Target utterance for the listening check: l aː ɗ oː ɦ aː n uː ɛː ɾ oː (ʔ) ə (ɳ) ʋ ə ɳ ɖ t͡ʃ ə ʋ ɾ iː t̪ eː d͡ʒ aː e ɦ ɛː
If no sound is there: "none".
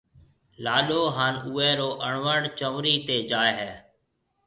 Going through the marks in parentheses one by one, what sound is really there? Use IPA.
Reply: ʔ, ɳ

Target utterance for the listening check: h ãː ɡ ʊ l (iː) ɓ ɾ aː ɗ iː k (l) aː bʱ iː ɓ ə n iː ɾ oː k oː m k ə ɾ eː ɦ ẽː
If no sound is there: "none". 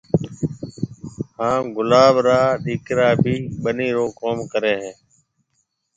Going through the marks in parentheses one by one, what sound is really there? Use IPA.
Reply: aː, ɾ

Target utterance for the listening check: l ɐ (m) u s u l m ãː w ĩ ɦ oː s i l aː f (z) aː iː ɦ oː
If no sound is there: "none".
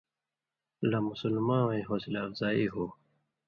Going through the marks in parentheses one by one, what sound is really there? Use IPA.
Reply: m, z

